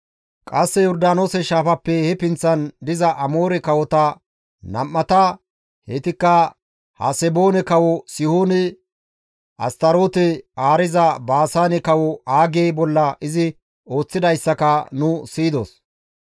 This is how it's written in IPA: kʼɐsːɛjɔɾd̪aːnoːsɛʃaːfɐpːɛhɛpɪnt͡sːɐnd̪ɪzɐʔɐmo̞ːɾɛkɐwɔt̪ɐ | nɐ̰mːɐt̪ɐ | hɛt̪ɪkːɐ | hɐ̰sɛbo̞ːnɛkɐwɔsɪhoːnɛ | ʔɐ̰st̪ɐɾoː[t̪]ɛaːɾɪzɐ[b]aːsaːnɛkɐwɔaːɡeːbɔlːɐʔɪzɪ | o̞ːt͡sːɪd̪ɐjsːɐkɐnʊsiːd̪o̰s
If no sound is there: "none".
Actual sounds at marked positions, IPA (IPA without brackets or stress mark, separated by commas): t̪, b